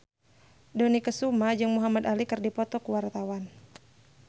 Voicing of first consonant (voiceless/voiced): voiced